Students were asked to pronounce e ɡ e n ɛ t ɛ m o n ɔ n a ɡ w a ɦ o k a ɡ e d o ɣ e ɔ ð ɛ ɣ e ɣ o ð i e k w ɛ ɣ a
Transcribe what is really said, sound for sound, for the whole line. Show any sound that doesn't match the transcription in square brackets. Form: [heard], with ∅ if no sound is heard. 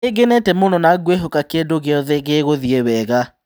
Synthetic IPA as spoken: e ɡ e n ɛ t ɛ m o n ɔ n a ɡ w [e] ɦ o k a [k] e d o ɣ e ɔ ð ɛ ɣ e ɣ o ð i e [∅] w ɛ ɣ a